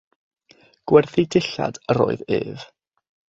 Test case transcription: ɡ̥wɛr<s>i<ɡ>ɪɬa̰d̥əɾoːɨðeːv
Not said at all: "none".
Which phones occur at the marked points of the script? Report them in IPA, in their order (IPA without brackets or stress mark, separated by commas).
θ, d